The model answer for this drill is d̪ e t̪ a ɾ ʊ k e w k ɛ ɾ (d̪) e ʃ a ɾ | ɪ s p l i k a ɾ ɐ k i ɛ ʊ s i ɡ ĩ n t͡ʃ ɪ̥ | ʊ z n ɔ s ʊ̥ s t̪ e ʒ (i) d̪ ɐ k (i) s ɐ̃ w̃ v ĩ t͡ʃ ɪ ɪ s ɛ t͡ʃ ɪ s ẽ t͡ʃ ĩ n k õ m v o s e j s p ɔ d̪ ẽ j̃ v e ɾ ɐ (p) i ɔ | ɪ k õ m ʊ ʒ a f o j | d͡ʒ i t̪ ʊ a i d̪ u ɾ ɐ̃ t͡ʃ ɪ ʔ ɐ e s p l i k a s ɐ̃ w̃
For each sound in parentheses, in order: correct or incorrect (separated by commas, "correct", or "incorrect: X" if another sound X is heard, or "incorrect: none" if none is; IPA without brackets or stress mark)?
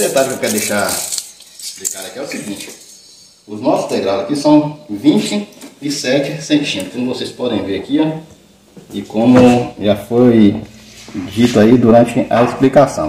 correct, incorrect: a, correct, incorrect: k